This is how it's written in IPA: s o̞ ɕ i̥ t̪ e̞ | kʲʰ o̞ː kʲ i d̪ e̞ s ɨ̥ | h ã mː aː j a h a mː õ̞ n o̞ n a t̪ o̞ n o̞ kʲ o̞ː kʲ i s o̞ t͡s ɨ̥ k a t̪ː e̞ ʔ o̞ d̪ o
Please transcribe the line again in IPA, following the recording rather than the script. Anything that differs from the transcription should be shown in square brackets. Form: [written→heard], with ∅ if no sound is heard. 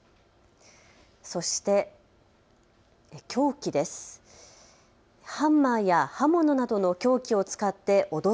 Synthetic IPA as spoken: s o̞ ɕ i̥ t̪ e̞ | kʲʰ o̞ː kʲ i d̪ e̞ s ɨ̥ | h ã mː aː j a h a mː [õ̞→o̞] n o̞ n a [t̪→d̪] o̞ n o̞ kʲ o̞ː kʲ i [s→∅] o̞ t͡s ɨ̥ k a t̪ː e̞ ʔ o̞ d̪ o